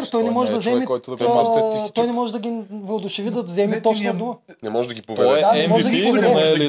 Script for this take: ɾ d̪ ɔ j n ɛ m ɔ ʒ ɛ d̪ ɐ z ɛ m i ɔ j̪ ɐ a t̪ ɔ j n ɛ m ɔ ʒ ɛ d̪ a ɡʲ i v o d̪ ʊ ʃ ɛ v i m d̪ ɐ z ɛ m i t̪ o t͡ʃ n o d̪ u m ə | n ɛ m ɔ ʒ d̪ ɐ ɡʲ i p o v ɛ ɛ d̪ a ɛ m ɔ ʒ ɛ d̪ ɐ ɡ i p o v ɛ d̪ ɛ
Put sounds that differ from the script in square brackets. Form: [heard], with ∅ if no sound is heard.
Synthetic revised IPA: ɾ [t̪] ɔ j n ɛ m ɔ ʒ ɛ d̪ ɐ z ɛ m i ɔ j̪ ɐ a t̪ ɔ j n ɛ m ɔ ʒ ɛ d̪ [ɐ] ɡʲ i v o d̪ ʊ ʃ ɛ v i [∅] d̪ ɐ z ɛ m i t̪ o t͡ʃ n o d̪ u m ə | n ɛ m ɔ ʒ d̪ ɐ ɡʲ i p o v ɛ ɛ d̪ a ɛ m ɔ ʒ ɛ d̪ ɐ ɡ i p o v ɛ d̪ ɛ